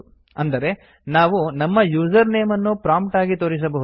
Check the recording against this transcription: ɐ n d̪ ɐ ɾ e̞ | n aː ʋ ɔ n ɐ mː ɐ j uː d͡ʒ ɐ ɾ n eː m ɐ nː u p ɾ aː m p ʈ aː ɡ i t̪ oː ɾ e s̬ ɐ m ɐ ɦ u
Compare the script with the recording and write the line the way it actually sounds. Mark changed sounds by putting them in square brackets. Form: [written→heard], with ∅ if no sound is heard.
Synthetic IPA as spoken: ɐ n d̪ ɐ ɾ e̞ | n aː ʋ [ɔ→u] n ɐ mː ɐ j uː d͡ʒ ɐ ɾ n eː m ɐ nː u p ɾ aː m p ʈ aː ɡ i t̪ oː ɾ [e→i] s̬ ɐ [m→b] ɐ ɦ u